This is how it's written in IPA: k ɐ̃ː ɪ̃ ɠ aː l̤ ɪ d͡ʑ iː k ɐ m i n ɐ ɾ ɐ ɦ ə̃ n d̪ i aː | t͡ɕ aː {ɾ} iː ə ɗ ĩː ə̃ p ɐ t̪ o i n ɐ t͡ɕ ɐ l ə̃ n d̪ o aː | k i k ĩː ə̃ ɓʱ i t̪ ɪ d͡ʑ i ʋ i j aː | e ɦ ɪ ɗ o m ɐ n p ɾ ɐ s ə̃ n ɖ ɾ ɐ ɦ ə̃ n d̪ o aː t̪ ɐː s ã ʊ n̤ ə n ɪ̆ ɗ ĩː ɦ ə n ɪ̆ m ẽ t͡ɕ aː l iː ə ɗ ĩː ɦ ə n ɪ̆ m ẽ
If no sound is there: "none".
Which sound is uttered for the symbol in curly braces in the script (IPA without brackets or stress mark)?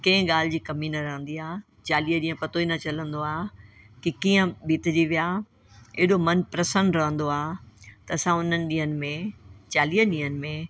l